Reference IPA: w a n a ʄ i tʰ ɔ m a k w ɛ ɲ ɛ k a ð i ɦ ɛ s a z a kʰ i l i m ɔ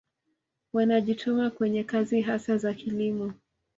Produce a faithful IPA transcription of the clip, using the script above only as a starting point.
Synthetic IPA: w a n a ʄ i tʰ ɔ m a k w ɛ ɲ ɛ k a z i ɦ a s a z a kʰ i l i m ɔ